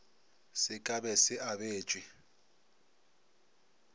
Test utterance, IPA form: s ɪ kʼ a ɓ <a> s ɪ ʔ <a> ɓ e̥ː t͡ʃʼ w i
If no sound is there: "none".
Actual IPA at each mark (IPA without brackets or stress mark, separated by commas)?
ɛ, a